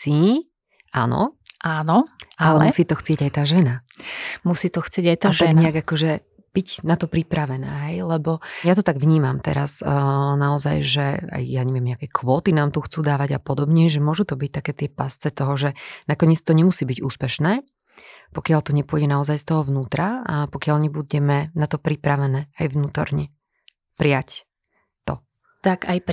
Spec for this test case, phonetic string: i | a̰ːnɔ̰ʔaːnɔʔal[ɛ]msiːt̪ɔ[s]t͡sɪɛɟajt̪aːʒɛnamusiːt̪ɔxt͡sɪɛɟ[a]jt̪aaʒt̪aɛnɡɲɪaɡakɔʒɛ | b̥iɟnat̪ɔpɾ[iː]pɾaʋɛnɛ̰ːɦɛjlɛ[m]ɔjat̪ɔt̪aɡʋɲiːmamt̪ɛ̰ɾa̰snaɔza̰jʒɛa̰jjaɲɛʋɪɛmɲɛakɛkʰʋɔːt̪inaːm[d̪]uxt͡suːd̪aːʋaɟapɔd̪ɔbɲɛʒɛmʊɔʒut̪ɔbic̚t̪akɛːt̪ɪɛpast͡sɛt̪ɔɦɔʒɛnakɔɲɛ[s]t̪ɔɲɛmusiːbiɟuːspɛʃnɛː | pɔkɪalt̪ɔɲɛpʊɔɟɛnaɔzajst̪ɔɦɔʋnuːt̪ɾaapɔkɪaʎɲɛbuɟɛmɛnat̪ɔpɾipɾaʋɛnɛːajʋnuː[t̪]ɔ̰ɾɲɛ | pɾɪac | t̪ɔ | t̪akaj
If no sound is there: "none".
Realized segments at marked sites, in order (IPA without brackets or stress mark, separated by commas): ɛ, x, a, i, b, t̪, t͡s, t̪